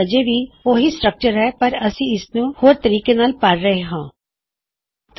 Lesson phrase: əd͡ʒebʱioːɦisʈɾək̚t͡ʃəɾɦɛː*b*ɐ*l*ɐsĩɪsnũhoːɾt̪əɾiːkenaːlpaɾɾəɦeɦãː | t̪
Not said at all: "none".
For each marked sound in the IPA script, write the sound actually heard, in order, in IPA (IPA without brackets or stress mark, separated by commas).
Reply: p, ɾ